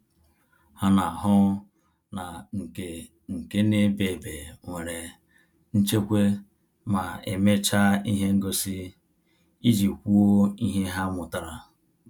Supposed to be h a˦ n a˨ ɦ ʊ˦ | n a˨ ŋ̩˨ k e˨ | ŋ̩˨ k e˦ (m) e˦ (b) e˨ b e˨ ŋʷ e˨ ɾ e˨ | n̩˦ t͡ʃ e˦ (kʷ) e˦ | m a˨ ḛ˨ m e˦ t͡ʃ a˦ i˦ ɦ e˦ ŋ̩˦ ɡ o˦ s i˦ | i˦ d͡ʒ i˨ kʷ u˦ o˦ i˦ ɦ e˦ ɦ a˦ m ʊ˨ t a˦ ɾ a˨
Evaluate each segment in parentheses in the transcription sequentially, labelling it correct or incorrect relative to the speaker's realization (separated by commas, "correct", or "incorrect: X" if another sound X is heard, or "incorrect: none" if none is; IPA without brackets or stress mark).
incorrect: n, correct, correct